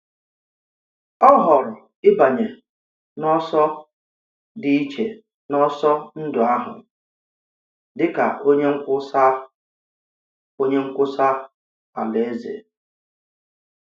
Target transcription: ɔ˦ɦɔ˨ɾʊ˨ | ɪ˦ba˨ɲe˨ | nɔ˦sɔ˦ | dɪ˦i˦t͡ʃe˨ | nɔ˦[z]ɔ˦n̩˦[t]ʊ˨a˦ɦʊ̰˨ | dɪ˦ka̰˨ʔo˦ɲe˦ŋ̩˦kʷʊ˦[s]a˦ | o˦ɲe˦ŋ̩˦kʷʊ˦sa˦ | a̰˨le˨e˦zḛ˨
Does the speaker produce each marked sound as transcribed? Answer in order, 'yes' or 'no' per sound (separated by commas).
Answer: no, no, yes